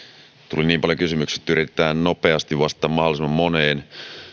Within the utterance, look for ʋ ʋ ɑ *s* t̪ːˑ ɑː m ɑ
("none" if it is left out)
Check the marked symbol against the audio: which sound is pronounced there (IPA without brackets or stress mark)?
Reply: s